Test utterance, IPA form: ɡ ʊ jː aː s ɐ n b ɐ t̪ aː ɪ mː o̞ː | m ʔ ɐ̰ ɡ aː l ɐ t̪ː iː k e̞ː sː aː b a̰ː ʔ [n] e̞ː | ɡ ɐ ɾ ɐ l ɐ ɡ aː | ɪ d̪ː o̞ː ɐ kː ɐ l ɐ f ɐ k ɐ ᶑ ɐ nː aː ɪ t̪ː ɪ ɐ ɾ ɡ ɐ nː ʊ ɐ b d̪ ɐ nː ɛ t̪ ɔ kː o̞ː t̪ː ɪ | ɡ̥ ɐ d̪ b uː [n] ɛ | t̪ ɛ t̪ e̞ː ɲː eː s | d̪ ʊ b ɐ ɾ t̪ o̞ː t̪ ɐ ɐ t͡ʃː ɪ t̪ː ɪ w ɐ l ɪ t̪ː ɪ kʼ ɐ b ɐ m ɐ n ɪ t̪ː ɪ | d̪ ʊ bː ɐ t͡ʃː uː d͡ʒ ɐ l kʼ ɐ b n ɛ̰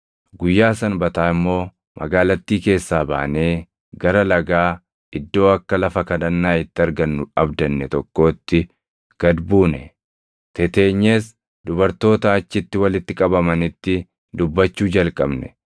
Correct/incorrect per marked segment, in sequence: correct, correct

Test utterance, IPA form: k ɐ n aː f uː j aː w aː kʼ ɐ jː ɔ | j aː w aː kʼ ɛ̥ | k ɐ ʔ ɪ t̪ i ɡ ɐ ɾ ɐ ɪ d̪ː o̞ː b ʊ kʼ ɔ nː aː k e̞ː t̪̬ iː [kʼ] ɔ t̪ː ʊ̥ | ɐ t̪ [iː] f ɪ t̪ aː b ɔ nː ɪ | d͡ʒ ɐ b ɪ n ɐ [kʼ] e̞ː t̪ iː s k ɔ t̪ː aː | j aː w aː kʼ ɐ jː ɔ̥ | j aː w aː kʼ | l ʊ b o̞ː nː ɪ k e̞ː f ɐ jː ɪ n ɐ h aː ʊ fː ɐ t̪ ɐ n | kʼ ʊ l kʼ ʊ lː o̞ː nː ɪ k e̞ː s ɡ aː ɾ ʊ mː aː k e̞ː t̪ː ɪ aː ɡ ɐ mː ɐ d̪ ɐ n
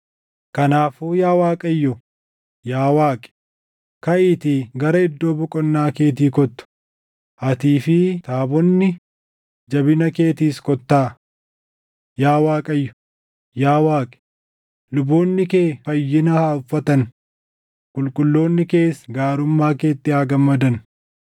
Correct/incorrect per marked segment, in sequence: incorrect: k, correct, incorrect: k

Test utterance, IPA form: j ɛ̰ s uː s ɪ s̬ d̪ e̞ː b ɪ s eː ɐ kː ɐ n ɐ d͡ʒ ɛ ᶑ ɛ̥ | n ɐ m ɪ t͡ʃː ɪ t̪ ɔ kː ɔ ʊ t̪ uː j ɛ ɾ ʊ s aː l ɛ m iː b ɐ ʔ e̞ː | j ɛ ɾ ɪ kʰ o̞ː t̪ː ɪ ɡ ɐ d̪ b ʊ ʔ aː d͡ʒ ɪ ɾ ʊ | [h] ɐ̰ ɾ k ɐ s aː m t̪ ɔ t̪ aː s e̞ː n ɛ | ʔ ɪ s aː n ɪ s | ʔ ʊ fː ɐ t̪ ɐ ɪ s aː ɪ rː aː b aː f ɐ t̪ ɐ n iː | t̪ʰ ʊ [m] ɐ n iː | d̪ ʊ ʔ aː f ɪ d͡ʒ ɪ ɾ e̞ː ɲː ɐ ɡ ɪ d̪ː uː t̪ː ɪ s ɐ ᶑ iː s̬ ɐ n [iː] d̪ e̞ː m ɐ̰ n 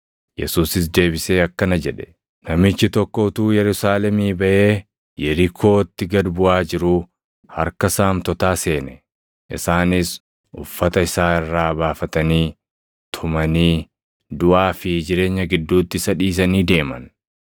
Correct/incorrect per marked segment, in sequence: correct, correct, correct

